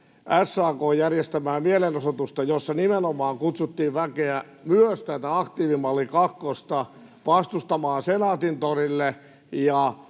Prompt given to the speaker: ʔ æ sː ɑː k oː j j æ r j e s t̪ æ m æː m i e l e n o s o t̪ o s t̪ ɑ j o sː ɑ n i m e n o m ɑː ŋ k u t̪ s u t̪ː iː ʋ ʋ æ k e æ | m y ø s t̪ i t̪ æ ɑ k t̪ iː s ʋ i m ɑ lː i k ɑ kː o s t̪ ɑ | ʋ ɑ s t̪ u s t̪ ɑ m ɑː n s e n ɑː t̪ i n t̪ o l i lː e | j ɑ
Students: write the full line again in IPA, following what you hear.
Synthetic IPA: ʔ æ sː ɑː k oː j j æ r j e s t̪ æ m æː m i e l e n o s o t̪ u s t̪ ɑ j o sː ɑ n i m e n o m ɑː ŋ k u t̪ s u t̪ː iː ʋ ʋ æ k e æ | m y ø s t̪ æ t̪ æ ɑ k t̪ iː ʋ i m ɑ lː i k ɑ kː o s t̪ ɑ | ʋ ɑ s t̪ u s t̪ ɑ m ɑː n s e n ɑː t̪ i n t̪ o r i lː e | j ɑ